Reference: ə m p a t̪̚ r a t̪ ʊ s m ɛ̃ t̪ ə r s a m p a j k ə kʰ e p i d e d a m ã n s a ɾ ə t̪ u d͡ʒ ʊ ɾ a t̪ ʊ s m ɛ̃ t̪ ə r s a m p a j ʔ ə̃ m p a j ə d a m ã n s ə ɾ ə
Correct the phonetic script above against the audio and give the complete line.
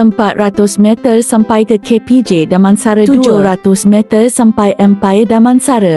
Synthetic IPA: ə m p a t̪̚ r a t̪ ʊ s m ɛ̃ t̪ ə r s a m p a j k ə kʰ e p i d͡ʒ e d a m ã n s a ɾ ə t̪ u d͡ʒ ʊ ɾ a t̪ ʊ s m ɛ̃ t̪ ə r s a m p a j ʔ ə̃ m p a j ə d a m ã n s a ɾ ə